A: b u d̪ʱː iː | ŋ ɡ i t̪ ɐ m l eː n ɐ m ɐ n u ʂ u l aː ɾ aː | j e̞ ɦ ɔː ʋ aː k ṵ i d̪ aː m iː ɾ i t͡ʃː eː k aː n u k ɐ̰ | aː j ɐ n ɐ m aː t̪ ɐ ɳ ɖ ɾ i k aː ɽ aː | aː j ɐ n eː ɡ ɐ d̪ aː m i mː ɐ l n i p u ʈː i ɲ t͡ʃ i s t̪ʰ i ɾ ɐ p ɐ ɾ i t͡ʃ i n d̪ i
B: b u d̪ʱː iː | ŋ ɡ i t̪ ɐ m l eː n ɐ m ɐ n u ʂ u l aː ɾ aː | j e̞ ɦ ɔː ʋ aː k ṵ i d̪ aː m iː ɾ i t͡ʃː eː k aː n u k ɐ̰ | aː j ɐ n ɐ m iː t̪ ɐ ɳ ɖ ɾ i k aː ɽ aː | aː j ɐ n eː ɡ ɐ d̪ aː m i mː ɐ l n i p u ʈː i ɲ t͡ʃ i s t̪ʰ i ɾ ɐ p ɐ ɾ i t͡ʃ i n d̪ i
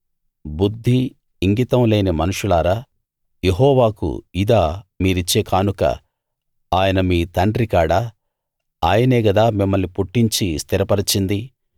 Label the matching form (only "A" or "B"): B